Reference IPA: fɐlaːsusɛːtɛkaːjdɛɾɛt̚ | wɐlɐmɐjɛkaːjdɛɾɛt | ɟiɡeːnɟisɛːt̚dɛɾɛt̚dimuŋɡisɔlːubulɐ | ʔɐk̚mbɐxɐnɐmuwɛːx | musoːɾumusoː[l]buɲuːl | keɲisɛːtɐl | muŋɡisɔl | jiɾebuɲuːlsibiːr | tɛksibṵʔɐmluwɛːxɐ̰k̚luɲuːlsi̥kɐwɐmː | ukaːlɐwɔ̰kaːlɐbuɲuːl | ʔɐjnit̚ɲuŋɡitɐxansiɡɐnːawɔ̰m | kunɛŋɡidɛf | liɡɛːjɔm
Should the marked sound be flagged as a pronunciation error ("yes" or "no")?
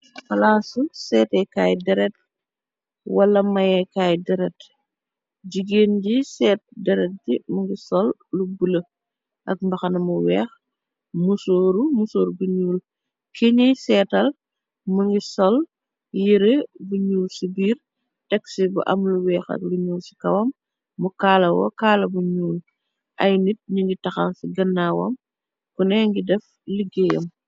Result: yes